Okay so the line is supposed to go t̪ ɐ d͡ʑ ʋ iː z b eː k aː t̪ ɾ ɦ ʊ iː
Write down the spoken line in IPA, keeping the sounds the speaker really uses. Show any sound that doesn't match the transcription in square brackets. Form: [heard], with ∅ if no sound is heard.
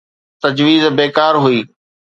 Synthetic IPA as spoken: t̪ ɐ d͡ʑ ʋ iː z b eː k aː [∅] ɾ ɦ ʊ iː